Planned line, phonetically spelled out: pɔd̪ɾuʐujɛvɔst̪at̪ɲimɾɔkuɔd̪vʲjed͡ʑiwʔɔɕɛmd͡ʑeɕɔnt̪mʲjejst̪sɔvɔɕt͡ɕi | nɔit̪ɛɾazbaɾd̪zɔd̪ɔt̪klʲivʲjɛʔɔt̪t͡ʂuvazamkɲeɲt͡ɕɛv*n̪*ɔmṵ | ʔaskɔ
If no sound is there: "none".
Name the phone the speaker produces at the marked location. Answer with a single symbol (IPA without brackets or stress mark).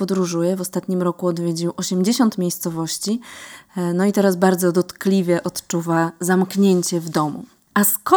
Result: d̪